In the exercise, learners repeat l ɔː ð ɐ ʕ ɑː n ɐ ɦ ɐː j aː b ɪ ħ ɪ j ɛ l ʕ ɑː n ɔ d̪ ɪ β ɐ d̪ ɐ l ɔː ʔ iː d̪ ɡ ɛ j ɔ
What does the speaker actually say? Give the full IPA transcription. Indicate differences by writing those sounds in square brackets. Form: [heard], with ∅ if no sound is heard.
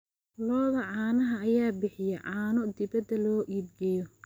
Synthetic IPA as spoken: l ɔː ð ɐ ʕ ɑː n ɐ ɦ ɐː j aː b ɪ ħ ɪ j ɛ [∅] ʕ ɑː n ɔ d̪ ɪ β ɐ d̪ ɐ l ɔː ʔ iː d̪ ɡ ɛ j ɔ